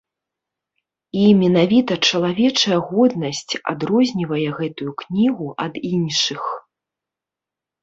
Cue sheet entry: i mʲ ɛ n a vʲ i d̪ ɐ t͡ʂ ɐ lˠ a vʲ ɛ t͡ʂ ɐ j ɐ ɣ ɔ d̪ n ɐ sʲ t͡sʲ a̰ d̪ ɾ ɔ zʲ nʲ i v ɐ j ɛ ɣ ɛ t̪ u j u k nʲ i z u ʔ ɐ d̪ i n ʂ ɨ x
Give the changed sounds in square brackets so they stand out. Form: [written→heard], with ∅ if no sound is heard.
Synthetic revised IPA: i mʲ ɛ n a vʲ i [d̪→t̪] ɐ t͡ʂ ɐ lˠ a vʲ ɛ t͡ʂ ɐ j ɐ ɣ ɔ d̪ n ɐ sʲ t͡sʲ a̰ d̪ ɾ ɔ zʲ nʲ i v ɐ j ɛ ɣ ɛ t̪ u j u k nʲ i [z→ɣ] u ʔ ɐ d̪ i n ʂ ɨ x

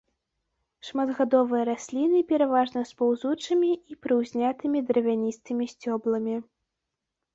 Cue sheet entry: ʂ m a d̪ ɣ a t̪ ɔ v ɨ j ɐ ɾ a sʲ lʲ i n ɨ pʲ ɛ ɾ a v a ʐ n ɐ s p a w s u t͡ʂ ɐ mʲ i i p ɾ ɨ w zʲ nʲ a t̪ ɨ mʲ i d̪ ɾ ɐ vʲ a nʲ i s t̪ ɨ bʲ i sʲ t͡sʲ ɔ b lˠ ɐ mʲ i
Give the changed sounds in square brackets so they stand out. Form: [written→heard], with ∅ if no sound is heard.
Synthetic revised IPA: ʂ m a d̪ ɣ a [t̪→d̪] ɔ v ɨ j ɐ ɾ a sʲ lʲ i n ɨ pʲ ɛ ɾ a v a ʐ n ɐ s p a w [s→z] u t͡ʂ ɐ mʲ i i p ɾ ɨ w zʲ nʲ a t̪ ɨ mʲ i d̪ ɾ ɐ vʲ a nʲ i s t̪ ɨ [bʲ→mʲ] i sʲ t͡sʲ ɔ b lˠ ɐ mʲ i

